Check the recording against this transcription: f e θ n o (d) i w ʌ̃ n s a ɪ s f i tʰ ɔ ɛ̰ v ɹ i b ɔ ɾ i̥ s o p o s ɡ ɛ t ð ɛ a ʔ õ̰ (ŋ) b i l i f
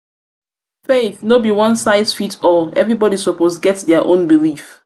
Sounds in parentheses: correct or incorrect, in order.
incorrect, incorrect

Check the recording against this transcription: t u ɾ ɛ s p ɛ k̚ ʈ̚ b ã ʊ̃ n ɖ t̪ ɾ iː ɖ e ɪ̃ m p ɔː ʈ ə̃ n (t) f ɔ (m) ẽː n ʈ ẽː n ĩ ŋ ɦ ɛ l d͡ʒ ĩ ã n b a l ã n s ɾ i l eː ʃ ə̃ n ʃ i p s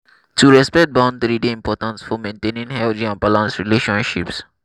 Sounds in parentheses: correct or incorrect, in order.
incorrect, correct

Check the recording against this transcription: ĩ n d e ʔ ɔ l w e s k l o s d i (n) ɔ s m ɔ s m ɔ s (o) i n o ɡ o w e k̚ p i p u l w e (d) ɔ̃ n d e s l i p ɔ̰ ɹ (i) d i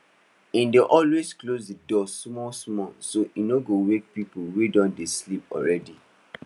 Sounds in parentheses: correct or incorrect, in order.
incorrect, correct, correct, incorrect

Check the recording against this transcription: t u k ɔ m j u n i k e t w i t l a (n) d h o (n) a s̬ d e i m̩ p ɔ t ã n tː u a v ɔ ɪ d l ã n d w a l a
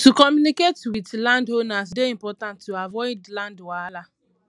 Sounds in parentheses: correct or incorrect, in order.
correct, correct

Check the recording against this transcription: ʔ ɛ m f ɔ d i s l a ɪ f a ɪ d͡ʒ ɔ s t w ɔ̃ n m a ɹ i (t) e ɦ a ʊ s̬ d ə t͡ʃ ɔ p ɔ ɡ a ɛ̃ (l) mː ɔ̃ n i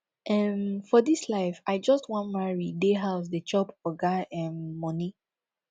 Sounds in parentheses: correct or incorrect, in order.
incorrect, incorrect

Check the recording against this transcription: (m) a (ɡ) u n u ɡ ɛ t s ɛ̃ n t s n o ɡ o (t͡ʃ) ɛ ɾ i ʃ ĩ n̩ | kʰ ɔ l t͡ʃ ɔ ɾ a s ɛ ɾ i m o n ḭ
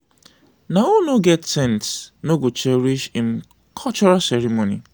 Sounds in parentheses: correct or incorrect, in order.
incorrect, incorrect, correct

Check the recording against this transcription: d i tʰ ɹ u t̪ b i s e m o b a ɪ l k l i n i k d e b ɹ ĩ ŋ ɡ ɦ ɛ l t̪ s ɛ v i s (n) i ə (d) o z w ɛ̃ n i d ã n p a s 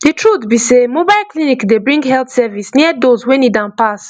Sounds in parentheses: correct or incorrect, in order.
correct, correct

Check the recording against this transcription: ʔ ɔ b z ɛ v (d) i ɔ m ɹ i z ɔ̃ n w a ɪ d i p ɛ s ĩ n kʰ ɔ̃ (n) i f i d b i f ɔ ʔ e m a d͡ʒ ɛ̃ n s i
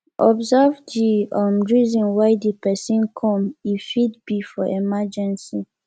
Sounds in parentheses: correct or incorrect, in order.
correct, incorrect

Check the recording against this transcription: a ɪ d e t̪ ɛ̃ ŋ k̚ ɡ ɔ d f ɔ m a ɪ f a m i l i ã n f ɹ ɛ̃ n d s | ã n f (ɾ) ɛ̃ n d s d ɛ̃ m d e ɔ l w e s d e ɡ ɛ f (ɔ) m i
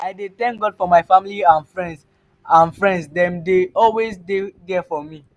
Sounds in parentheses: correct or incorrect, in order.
incorrect, correct

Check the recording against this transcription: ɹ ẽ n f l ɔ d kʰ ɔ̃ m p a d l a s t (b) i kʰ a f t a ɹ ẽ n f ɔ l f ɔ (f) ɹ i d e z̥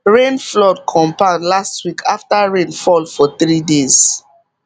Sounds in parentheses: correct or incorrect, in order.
incorrect, incorrect

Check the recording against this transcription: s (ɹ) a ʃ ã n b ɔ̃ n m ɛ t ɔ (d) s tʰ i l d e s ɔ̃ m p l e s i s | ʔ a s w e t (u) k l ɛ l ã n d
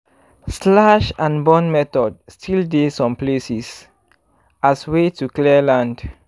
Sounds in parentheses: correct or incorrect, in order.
incorrect, correct, correct

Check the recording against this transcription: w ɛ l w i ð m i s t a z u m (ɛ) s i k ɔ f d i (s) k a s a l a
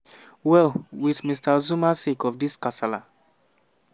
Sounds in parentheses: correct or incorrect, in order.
incorrect, correct

